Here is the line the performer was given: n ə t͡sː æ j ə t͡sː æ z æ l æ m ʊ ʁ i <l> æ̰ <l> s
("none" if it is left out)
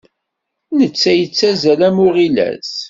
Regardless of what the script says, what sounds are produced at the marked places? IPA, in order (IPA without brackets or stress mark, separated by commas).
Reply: l, none